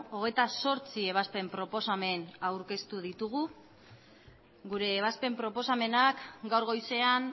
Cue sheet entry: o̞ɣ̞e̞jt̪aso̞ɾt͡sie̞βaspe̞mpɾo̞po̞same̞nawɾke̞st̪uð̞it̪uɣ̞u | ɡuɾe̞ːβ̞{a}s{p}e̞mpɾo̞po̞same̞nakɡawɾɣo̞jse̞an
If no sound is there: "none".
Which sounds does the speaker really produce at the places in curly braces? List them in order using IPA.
a, p

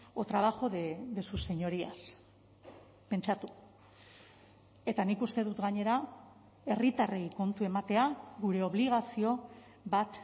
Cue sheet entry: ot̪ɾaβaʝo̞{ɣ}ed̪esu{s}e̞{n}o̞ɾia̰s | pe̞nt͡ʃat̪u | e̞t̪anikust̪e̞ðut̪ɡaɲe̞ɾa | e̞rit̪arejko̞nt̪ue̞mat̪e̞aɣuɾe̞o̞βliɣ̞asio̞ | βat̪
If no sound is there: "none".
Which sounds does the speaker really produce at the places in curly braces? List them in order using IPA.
ð, s, ɲ

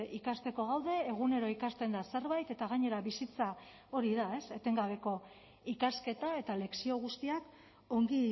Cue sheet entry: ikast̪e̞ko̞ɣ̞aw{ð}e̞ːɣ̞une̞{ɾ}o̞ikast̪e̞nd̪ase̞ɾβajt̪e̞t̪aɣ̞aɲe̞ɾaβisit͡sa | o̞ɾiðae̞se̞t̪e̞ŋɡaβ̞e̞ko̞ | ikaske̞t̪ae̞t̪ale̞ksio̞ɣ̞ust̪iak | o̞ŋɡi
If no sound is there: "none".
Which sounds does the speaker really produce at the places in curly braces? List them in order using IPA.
ð, ɾ

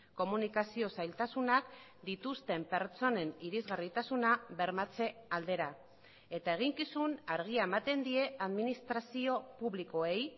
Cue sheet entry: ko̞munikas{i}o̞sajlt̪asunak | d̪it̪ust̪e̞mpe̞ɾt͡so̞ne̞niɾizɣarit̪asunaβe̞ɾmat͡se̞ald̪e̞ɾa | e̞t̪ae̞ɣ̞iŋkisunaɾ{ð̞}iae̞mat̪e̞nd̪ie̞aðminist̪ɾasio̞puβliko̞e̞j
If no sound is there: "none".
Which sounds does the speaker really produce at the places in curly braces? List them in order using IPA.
i, ɣ̞

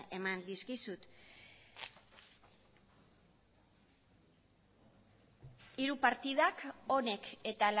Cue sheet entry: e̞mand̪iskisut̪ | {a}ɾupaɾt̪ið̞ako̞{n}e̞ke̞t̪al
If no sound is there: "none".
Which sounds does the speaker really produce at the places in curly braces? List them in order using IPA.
i, n

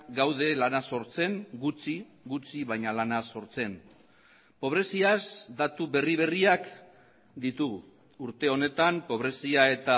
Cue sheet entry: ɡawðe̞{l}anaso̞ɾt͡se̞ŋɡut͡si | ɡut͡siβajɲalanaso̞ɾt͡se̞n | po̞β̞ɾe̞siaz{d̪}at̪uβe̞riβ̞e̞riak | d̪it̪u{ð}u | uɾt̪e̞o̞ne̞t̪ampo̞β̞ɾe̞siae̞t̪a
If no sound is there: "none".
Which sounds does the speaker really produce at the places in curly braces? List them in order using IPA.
l, d̪, ɣ

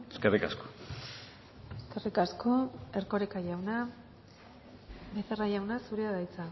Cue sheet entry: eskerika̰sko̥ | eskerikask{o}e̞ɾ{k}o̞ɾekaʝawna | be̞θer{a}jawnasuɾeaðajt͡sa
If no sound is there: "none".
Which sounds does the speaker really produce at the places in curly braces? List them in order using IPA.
o, k, a

